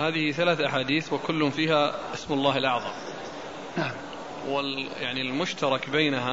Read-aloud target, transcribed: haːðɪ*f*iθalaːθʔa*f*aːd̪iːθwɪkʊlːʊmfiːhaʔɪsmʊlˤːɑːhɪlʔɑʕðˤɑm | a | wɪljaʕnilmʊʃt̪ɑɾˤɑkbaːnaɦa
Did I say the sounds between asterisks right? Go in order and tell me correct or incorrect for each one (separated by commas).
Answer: incorrect, incorrect